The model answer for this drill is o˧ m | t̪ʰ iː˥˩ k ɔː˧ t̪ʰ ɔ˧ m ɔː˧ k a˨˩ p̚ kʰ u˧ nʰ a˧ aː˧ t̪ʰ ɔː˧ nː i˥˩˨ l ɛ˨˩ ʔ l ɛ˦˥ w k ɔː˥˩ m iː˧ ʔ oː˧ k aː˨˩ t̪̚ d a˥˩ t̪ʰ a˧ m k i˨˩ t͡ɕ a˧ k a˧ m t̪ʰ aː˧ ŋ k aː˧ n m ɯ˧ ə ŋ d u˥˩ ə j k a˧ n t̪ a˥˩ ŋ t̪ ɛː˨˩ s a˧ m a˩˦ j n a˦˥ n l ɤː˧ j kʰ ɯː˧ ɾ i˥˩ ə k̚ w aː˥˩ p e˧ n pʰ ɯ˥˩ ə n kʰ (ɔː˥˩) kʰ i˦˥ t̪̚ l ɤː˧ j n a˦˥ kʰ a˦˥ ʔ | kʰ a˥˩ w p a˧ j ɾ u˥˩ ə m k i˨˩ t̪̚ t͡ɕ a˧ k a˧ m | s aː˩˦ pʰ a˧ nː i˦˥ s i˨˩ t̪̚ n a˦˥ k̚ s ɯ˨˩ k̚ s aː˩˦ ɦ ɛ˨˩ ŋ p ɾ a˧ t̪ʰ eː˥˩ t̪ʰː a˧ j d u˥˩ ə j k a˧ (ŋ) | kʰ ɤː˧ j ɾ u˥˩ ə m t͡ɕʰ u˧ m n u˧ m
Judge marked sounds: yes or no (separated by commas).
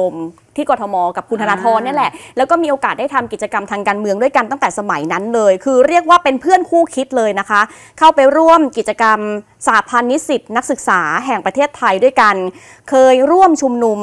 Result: no, no